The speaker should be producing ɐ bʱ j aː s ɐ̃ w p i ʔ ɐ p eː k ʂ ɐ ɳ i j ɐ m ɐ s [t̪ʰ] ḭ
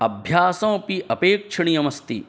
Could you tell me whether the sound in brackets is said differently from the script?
yes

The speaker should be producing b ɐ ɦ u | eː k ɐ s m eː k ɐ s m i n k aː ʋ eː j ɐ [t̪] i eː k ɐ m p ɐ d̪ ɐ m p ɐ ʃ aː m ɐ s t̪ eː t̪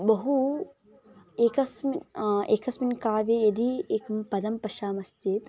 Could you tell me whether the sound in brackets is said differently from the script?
yes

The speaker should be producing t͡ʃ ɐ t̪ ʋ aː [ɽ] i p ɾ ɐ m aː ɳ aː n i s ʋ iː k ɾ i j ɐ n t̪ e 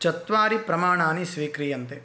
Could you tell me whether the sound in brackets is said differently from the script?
yes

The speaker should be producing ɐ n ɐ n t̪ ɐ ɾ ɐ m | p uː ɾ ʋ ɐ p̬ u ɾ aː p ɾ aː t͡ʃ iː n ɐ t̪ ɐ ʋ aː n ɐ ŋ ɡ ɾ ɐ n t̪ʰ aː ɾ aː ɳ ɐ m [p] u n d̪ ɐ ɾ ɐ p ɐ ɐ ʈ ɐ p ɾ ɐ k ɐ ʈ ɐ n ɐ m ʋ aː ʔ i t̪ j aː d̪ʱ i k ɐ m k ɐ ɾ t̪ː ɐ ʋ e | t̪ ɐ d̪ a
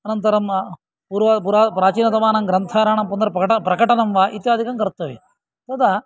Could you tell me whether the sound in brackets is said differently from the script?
no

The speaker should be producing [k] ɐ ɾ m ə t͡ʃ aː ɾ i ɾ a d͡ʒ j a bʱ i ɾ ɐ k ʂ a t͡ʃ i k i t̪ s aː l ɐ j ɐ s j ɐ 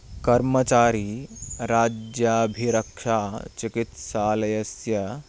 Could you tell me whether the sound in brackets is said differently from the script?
no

